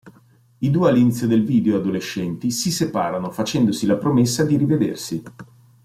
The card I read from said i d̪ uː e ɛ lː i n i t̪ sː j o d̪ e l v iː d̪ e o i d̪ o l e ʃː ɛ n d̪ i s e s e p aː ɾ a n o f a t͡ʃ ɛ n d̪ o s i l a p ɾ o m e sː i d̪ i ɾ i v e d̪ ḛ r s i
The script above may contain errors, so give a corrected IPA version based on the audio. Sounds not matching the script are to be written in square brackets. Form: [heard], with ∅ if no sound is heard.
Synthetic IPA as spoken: i d̪ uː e [a] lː i n i t̪ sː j o d̪ e l v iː d̪ e o [a] d̪ o l e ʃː ɛ n [t̪] i s [i] s e p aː ɾ a n o f a t͡ʃ ɛ n d̪ o s i l a p ɾ o m e sː [a] d̪ i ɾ i v e d̪ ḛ r s i